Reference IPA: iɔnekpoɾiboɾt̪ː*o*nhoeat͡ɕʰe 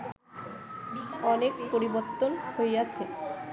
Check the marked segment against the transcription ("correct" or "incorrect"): correct